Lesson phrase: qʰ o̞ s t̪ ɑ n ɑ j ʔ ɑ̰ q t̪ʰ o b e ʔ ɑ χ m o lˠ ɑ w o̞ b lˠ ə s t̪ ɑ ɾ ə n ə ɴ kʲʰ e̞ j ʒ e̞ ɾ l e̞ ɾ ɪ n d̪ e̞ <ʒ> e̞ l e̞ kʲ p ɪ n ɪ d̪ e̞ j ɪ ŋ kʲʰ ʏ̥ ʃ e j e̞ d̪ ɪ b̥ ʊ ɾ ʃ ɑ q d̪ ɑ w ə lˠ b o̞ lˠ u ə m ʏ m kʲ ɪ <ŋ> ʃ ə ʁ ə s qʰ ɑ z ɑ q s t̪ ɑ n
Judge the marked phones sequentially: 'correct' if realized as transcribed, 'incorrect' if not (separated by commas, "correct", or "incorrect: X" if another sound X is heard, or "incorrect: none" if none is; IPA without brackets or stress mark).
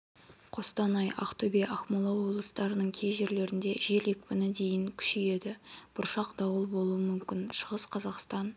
correct, incorrect: n